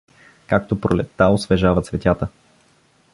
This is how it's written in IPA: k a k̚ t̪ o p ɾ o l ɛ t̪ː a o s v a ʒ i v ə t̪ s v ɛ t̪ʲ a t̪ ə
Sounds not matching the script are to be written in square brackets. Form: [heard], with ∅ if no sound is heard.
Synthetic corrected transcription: k a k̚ t̪ o p ɾ o l ɛ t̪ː a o s v [ɛ] ʒ [a] v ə t̪ s v ɛ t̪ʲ a t̪ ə